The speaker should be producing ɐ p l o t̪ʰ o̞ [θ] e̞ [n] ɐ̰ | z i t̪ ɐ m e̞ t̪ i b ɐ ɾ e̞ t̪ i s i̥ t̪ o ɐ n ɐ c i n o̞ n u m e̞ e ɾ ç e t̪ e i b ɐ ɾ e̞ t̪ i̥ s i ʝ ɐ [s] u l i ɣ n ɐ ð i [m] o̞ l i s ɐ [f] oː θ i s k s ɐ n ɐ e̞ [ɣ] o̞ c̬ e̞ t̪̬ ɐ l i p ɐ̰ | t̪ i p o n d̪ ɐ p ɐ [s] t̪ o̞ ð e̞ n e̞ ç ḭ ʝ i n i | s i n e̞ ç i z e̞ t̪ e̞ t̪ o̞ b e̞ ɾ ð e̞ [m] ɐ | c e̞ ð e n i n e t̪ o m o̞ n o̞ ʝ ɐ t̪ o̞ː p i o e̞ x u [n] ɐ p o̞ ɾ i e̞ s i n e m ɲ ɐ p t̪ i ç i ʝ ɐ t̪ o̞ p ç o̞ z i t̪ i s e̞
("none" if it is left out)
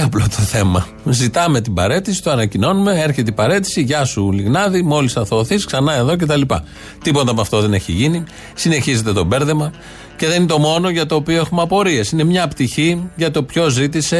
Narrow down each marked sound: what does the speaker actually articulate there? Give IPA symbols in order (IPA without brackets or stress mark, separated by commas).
θ, m, s, m, θ, ð, f, m, m